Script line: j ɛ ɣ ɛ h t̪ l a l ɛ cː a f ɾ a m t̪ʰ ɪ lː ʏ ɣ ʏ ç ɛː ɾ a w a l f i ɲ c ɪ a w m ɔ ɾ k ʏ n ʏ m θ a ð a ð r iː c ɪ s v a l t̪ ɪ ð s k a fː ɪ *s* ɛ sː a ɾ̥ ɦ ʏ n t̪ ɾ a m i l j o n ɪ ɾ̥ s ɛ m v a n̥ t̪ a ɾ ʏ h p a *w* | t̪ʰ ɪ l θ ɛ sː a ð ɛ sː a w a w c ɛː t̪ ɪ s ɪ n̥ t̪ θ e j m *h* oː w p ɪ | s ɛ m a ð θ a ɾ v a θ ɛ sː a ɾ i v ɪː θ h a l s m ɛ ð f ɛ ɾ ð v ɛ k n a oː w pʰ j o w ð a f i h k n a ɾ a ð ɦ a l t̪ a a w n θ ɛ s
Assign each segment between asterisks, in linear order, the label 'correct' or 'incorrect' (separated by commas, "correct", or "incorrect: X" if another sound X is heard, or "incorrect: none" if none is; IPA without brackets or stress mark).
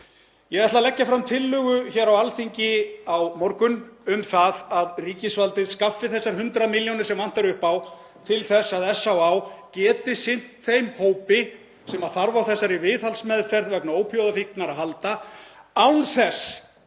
incorrect: θ, correct, correct